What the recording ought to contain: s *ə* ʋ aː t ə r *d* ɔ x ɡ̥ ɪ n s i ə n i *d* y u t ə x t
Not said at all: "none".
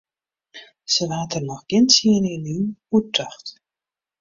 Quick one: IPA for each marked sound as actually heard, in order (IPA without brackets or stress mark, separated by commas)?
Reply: ə, n, n